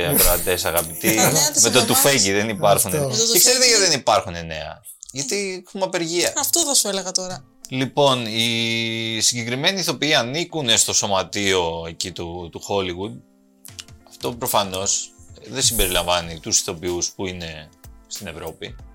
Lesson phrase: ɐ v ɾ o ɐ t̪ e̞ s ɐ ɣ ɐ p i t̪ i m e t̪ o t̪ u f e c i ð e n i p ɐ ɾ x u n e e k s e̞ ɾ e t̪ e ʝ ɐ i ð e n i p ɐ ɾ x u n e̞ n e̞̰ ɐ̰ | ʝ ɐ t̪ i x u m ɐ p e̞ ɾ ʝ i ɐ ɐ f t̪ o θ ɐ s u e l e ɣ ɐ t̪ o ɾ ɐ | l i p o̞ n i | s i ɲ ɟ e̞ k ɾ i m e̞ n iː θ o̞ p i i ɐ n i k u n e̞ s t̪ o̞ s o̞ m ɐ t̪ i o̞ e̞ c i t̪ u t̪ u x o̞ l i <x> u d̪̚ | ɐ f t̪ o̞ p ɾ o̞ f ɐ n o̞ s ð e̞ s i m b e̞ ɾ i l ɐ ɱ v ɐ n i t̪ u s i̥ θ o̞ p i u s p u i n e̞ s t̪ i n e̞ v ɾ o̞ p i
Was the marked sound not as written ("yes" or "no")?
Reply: yes